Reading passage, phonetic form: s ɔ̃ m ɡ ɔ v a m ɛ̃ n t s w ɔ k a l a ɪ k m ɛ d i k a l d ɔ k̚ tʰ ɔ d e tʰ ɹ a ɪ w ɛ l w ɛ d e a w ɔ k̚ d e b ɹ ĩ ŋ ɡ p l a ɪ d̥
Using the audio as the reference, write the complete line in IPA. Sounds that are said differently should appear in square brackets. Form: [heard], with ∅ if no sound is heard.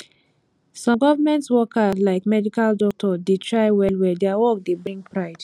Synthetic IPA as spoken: s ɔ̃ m ɡ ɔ v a m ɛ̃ n t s w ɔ k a l a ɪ k m ɛ d i k a l d ɔ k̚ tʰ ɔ d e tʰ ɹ a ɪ w ɛ l w ɛ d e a w ɔ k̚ d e b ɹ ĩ ŋ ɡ p [ɹ] a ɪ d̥